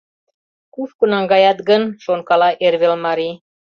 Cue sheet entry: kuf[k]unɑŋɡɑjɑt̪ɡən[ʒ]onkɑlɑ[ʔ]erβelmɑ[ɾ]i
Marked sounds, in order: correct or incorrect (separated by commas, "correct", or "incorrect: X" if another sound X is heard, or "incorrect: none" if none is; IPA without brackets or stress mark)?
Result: correct, incorrect: ʃ, correct, correct